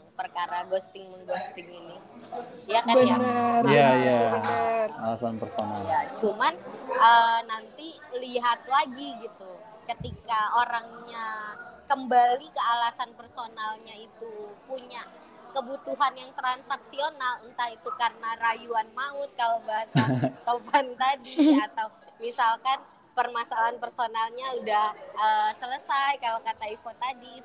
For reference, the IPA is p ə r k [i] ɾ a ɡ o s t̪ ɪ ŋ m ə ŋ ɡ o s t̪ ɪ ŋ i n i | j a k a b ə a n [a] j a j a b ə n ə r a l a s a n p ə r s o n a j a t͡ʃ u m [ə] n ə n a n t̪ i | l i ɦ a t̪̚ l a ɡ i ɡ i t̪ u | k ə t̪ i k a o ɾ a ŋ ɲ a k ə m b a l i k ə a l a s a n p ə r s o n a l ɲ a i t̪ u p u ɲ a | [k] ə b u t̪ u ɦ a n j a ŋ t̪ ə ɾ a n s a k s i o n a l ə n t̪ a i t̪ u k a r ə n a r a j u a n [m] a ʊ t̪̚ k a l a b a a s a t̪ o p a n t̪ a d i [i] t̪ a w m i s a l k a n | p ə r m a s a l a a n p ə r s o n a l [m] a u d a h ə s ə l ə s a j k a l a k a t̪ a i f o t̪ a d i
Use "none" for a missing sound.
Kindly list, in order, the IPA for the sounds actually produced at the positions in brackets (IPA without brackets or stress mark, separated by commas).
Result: a, ə, a, k, m, a, ɲ